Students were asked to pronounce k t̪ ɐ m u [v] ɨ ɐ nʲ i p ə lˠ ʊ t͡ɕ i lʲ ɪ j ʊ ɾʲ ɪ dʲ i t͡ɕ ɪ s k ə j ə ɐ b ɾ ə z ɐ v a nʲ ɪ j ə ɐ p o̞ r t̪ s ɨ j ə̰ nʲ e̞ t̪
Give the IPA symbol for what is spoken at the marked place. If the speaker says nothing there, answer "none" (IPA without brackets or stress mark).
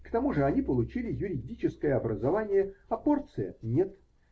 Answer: ʐ